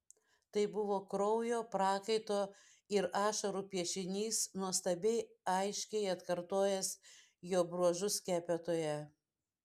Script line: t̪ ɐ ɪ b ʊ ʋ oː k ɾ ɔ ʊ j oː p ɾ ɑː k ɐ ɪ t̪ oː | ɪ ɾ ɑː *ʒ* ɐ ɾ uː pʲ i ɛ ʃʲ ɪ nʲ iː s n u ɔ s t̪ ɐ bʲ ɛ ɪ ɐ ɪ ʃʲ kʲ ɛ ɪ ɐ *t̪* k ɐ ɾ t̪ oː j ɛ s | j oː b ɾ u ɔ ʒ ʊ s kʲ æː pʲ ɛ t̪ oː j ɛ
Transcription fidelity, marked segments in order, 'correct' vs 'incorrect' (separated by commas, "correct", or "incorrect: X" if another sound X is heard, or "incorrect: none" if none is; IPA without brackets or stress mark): incorrect: ʃ, correct